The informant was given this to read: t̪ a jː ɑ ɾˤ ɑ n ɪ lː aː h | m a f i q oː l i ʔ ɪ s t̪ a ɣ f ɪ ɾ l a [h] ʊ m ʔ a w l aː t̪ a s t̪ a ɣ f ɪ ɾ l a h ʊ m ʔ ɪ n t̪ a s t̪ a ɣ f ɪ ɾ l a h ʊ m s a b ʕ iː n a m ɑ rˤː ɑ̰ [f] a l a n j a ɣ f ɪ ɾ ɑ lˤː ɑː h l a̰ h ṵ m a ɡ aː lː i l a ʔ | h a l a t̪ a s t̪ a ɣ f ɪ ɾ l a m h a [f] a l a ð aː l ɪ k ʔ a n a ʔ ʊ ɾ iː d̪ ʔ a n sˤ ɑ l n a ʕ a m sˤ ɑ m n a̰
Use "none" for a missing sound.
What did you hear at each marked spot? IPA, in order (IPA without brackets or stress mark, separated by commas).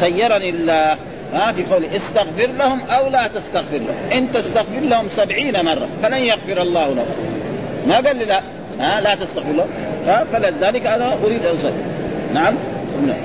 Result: h, f, f